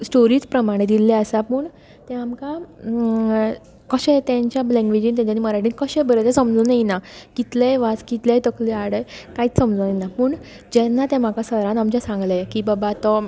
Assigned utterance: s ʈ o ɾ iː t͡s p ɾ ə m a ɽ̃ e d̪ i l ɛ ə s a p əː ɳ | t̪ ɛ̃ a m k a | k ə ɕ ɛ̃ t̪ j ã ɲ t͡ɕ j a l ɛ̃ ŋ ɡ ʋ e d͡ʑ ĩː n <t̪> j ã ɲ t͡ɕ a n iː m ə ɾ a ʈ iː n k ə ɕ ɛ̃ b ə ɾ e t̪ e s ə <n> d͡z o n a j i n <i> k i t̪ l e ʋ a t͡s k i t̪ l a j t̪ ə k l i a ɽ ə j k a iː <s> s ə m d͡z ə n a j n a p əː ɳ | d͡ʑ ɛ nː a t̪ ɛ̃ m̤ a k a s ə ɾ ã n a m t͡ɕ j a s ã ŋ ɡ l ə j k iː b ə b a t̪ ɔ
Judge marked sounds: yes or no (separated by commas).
yes, no, no, no